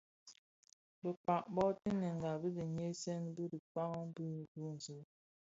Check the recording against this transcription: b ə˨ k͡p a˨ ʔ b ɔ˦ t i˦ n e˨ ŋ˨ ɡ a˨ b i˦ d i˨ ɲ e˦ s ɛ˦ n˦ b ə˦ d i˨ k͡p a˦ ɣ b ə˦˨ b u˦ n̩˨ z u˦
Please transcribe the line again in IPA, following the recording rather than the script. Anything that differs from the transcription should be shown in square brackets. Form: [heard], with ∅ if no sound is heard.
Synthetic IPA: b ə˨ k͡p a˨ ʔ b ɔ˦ t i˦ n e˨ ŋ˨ ɡ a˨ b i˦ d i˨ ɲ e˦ s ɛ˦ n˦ b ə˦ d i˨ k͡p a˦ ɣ b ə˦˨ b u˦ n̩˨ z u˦